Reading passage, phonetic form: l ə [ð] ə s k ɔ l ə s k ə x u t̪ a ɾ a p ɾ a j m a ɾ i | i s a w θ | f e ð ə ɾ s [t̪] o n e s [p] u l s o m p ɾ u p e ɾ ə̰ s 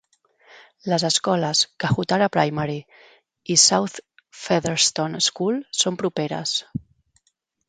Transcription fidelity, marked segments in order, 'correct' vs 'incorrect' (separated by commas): incorrect, correct, incorrect